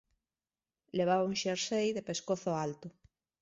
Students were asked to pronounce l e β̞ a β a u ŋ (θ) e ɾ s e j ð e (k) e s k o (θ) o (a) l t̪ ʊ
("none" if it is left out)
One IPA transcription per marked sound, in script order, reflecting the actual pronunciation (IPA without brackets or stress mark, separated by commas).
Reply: ʃ, p, θ, a